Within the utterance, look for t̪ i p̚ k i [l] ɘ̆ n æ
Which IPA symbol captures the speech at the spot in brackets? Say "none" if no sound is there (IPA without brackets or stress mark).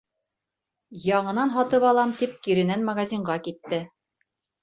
ɾ